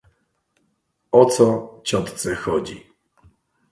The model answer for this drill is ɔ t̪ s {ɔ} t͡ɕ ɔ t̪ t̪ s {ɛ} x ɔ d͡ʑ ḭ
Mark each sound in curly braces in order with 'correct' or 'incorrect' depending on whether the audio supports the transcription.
correct, correct

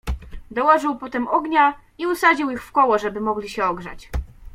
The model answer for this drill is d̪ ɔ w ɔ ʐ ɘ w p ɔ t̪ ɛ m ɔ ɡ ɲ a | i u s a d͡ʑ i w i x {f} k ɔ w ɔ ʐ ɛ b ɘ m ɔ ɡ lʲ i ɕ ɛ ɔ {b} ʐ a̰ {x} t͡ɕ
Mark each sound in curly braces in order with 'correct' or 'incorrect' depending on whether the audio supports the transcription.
correct, incorrect: ɡ, incorrect: none

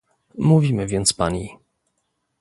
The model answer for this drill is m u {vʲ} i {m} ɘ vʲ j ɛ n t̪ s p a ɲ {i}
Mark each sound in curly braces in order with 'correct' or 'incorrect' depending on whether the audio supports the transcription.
correct, correct, correct

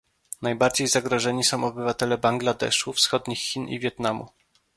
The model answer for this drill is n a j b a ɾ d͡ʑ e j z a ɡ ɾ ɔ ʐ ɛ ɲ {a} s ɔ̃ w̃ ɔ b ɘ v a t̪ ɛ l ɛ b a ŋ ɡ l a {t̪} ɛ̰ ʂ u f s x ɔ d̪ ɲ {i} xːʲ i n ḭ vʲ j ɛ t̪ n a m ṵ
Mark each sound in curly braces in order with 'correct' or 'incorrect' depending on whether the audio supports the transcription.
incorrect: i, incorrect: d̪, correct

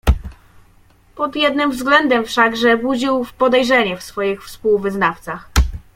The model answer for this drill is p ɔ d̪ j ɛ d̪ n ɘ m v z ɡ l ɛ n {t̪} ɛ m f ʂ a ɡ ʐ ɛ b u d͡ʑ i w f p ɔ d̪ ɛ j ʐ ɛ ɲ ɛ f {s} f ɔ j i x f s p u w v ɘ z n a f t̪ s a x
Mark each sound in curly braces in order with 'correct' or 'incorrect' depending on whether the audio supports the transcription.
incorrect: d̪, correct

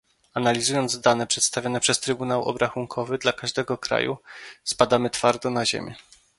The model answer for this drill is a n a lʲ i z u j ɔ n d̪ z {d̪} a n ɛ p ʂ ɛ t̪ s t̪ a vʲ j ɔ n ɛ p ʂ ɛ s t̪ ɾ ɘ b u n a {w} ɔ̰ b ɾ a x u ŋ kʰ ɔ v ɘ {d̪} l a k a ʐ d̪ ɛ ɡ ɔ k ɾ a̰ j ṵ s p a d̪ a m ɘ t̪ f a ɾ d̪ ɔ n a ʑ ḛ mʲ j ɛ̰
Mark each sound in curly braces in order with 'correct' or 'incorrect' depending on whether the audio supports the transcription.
correct, correct, correct

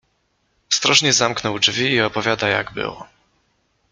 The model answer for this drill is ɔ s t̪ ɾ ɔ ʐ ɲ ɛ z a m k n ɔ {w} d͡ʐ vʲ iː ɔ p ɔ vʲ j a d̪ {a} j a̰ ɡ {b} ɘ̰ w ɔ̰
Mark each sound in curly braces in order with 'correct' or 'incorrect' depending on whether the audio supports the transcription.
correct, correct, correct

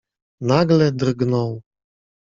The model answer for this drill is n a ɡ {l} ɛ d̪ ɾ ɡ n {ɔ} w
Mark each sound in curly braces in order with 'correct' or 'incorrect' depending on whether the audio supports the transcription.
correct, correct

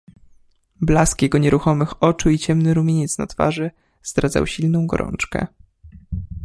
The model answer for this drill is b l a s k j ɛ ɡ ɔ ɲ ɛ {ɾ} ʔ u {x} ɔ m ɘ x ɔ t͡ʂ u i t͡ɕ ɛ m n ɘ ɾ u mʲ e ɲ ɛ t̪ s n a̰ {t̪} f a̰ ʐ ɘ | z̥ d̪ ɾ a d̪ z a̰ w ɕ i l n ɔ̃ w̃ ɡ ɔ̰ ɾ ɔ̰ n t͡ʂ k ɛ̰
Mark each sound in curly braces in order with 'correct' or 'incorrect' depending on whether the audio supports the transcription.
correct, correct, correct

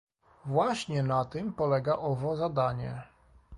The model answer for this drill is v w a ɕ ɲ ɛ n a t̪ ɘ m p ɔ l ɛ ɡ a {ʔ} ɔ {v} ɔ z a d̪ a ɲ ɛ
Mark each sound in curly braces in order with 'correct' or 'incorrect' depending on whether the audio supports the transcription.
correct, correct

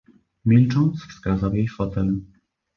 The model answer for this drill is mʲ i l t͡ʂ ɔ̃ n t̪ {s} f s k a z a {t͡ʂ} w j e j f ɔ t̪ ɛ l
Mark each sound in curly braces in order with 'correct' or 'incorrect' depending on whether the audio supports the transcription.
correct, incorrect: none

